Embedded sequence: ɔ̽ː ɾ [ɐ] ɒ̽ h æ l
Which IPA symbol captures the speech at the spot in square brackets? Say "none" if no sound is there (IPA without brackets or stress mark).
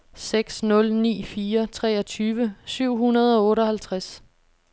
ə